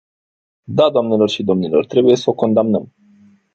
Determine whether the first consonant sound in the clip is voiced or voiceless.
voiced